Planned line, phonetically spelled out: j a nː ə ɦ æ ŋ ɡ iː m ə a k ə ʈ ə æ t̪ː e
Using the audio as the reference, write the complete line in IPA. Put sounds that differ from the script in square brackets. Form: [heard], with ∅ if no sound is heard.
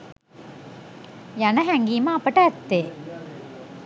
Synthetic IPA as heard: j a [n] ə ɦ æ ŋ ɡ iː m ə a [p] ə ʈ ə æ t̪ː e